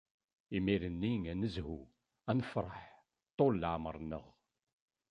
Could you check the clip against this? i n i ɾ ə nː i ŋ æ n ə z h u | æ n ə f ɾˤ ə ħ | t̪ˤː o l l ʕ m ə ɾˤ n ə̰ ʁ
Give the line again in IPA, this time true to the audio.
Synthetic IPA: i m i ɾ ə nː i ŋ æ n ə z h u | æ n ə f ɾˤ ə ħ | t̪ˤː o l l ʕ m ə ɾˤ n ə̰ ʁ